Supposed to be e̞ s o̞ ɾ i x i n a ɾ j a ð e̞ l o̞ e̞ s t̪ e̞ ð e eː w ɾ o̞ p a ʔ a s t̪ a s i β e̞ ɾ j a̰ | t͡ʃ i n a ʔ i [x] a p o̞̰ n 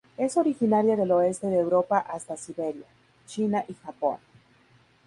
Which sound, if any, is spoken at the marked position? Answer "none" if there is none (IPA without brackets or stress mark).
x